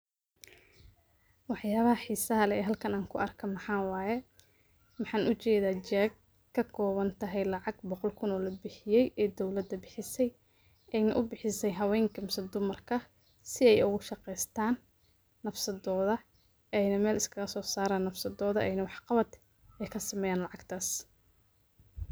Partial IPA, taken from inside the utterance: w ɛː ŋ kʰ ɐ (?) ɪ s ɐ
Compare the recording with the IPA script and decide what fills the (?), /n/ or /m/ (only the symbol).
m